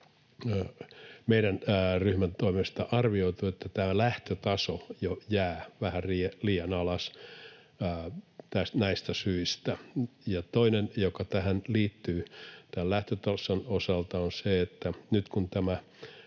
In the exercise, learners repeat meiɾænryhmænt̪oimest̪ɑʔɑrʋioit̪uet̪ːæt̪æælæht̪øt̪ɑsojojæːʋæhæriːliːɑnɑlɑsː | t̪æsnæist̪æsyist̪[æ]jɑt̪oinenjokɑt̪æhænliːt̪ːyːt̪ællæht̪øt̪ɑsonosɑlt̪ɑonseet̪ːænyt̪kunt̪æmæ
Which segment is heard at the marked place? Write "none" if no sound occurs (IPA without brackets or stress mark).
æ